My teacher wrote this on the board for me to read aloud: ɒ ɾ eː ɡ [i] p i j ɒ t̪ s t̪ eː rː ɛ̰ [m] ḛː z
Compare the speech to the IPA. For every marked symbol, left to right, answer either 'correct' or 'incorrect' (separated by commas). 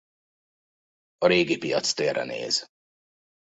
correct, incorrect